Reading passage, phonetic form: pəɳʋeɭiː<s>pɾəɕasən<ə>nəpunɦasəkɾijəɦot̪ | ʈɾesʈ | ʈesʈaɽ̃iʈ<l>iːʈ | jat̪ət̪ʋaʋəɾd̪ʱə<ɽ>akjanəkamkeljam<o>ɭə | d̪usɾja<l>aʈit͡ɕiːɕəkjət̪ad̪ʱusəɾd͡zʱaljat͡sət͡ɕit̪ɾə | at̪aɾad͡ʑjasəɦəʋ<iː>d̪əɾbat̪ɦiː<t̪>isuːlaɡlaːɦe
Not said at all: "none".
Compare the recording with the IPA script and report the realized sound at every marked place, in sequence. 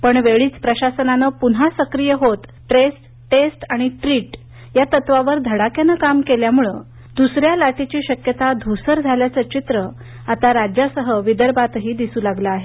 t͡s, a, ɾ, ɽ, u, l, i, d̪

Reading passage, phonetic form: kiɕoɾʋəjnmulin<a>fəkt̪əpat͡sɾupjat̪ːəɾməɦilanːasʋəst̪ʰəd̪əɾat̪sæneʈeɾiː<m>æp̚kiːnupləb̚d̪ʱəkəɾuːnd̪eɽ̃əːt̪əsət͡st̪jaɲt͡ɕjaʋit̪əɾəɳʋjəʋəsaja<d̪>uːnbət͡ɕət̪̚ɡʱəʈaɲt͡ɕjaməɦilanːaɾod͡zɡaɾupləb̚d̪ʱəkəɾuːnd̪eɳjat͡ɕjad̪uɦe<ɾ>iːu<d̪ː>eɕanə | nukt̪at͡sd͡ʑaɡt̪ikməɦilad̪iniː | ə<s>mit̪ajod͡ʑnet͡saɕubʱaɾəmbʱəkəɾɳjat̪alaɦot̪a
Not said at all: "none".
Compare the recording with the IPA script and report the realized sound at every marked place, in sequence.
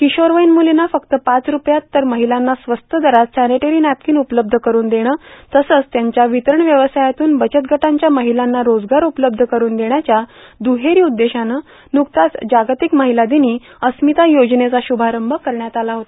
a, n, t̪, ɾ, d̪ː, s

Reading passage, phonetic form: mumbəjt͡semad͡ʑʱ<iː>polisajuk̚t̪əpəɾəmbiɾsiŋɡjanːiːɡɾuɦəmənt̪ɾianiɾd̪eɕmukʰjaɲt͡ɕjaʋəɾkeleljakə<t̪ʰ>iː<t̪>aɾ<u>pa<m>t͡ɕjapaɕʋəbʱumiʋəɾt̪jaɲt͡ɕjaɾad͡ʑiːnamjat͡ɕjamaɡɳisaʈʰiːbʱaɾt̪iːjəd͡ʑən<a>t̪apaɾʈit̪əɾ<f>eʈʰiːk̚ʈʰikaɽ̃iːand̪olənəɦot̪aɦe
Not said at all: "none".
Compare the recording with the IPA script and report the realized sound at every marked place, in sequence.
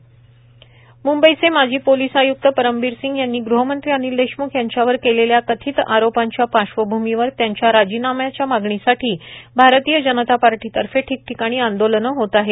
iː, t̪ʰ, t̪, o, ɲ, ə, f

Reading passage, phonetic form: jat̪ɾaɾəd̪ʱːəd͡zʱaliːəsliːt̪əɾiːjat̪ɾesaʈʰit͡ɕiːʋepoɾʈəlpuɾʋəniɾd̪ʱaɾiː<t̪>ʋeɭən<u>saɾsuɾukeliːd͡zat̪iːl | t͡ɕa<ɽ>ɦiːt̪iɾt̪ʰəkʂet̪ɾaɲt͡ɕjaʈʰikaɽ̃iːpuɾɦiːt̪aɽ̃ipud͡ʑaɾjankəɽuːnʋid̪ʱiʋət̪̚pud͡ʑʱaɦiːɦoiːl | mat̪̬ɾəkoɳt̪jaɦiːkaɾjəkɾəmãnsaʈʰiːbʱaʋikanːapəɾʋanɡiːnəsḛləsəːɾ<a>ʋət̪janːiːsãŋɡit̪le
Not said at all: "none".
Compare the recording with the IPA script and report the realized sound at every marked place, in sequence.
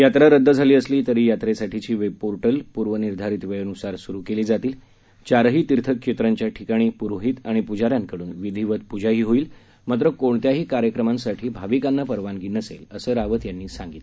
t̪, u, ɾ, a

